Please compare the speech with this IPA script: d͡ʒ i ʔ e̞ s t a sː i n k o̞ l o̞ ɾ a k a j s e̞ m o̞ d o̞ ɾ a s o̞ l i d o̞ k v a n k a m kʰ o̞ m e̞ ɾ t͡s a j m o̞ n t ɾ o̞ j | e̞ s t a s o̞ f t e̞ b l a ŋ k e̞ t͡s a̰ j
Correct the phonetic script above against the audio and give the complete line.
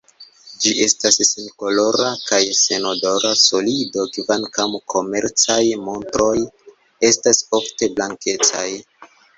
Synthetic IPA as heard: d͡ʒ i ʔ e̞ s t a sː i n k o̞ l o̞ ɾ a k a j s e̞ n o̞ d o̞ ɾ a s o̞ l i d o̞ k v a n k a m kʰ o̞ m e̞ ɾ t͡s a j m o̞ n t ɾ o̞ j | e̞ s t a s o̞ f t e̞ b l a ŋ k e̞ t͡s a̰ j